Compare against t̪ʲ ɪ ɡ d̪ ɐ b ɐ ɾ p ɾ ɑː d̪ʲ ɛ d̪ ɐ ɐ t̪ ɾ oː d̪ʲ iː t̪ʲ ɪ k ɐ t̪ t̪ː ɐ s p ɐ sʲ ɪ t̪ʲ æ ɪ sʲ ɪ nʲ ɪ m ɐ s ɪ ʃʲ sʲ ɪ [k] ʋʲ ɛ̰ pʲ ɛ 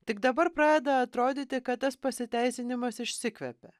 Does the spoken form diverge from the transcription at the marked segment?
no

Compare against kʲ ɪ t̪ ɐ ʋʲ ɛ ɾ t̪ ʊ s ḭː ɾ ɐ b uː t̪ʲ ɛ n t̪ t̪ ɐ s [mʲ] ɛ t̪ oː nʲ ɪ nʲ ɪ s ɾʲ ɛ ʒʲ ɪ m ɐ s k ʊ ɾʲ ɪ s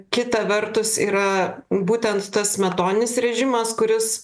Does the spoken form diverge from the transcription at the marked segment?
no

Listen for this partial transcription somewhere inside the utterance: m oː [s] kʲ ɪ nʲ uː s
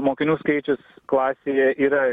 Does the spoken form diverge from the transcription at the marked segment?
yes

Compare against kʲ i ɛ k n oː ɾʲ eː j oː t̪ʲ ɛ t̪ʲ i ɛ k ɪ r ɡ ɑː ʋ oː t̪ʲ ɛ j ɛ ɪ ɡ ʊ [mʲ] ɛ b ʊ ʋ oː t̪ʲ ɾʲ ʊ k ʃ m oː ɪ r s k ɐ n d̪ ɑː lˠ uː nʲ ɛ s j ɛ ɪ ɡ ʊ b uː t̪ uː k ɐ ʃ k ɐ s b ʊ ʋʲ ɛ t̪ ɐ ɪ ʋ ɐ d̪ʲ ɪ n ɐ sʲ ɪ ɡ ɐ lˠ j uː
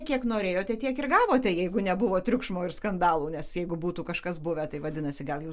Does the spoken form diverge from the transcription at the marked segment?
yes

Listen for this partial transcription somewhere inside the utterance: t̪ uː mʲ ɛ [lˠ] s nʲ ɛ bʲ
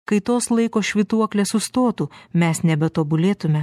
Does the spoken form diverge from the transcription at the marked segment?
yes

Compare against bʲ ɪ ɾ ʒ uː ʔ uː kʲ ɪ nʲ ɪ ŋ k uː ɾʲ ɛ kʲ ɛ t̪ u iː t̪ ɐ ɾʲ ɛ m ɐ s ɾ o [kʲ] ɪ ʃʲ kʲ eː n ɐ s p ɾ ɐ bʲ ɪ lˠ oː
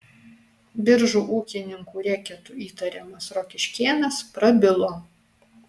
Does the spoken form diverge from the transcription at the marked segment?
no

